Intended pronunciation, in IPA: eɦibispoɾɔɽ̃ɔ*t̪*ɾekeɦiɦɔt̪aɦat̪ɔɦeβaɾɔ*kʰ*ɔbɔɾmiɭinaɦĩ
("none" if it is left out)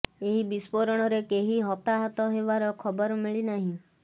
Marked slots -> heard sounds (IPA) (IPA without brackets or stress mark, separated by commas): none, kʰ